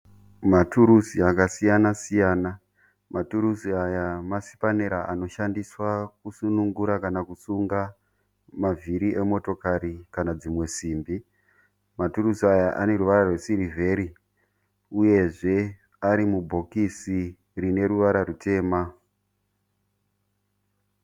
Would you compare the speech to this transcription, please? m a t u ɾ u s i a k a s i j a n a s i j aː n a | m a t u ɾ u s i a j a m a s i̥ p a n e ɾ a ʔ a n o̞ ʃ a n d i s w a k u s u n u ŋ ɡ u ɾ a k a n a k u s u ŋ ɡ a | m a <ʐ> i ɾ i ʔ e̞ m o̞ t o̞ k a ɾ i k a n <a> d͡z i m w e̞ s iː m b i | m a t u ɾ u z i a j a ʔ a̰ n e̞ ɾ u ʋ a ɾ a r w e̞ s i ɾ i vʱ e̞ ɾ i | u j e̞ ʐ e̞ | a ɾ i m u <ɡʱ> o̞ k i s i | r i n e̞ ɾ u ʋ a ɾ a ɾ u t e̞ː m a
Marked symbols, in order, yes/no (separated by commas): no, yes, no